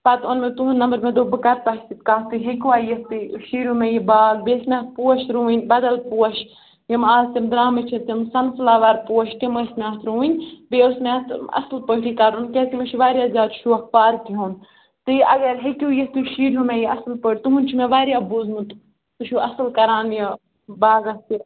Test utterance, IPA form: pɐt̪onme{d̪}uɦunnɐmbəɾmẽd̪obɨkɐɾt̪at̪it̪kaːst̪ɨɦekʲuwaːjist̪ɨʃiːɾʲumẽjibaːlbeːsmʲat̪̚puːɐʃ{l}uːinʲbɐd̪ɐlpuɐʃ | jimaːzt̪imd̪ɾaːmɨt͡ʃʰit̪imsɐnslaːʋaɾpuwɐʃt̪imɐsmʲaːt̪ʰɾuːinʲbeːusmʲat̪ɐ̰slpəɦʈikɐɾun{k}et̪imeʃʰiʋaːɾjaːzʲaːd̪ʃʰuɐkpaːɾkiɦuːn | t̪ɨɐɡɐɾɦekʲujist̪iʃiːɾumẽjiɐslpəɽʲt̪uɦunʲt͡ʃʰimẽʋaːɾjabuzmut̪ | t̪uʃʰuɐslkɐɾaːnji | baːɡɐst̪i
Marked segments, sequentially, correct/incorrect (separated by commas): incorrect, incorrect, correct